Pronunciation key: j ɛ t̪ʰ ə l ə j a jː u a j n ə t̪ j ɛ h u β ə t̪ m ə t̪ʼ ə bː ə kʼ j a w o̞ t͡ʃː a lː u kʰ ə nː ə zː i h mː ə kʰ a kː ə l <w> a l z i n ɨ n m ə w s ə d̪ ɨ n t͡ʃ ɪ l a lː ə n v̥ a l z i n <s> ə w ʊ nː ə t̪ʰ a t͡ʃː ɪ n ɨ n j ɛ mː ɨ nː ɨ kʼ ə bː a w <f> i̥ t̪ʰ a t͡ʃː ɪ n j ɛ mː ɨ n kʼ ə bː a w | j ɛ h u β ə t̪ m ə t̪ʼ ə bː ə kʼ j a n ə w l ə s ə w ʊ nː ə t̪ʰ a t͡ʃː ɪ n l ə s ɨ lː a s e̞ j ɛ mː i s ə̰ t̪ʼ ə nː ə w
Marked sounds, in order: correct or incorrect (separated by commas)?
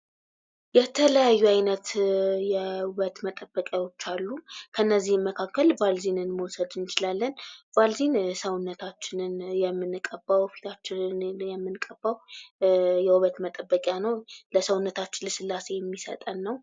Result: incorrect, correct, correct